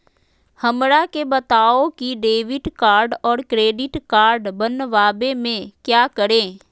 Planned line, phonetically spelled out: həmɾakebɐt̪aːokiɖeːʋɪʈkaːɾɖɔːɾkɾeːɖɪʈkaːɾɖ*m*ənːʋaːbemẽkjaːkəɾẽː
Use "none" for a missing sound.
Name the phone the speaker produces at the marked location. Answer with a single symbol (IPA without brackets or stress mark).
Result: b